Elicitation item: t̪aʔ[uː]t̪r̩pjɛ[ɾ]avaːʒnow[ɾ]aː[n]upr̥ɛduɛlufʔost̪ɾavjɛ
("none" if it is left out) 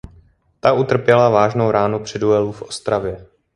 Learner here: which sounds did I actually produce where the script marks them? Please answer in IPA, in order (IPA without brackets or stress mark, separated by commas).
u, l, ɾ, n